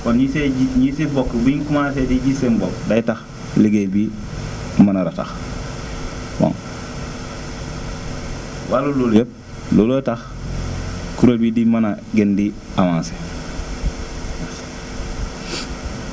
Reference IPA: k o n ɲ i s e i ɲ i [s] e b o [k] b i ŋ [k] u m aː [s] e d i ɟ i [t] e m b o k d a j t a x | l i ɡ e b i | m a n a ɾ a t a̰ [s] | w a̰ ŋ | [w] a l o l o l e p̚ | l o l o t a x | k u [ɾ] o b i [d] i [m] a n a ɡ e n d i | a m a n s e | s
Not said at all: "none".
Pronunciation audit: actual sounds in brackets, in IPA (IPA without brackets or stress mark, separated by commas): s, k, k, s, s, x, w, ɾ, d, m